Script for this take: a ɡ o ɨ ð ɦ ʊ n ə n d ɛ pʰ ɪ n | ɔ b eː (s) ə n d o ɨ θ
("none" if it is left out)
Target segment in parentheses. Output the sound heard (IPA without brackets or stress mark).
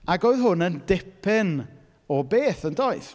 θ